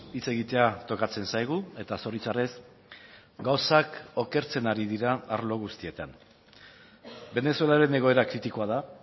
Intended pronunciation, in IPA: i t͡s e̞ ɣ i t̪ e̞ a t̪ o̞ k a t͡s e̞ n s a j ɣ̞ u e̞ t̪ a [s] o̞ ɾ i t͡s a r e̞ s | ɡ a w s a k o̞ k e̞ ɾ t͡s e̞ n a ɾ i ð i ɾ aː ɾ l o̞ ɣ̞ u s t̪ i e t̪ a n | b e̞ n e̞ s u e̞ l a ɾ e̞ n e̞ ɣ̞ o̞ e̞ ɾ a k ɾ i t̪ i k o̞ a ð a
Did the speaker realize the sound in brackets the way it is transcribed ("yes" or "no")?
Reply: yes